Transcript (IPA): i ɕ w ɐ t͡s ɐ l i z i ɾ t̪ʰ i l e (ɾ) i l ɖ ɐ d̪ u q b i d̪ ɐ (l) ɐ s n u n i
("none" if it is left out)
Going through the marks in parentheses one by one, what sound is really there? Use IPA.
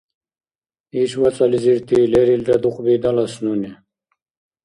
ɾ, l

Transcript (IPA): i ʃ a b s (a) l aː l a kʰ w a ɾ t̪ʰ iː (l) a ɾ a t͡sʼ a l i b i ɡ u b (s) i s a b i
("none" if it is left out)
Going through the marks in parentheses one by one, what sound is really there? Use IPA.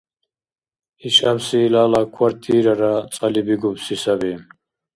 i, ɾ, s

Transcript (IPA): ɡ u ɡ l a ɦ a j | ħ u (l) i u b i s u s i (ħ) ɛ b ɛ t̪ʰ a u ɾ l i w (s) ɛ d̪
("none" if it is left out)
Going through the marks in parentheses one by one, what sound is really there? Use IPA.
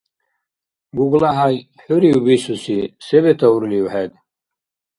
ɾ, s, ħ

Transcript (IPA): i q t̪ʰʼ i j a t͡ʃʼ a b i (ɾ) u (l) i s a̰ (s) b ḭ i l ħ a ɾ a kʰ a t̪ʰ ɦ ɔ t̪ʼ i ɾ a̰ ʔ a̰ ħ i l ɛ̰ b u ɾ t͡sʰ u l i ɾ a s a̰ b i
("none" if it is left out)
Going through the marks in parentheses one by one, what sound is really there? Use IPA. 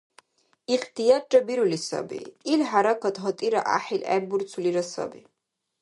ɾ, l, none

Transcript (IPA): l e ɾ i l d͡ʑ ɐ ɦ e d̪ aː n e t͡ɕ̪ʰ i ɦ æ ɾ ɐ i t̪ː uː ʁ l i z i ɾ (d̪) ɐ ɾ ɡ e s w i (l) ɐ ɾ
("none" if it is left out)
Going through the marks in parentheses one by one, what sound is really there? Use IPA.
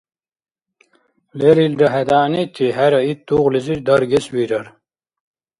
d̪, ɾ

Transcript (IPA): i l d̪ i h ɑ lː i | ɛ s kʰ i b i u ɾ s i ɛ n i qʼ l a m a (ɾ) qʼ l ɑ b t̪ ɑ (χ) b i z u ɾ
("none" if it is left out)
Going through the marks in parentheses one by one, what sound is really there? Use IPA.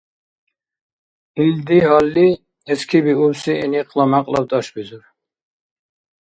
none, ʃ

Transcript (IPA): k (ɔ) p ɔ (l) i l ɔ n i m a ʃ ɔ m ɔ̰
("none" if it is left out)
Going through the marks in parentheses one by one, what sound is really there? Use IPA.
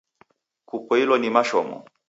u, none

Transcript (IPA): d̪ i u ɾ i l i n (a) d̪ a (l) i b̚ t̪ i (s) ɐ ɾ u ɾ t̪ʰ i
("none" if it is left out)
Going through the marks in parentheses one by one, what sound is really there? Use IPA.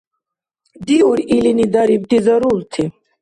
i, ɾ, z

